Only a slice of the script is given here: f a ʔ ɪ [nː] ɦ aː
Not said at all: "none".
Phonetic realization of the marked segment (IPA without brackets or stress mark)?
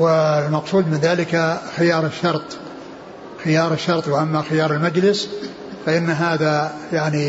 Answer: nː